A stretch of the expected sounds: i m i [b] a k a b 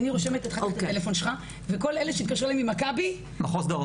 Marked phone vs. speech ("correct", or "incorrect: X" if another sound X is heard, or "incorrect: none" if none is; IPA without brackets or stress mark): incorrect: m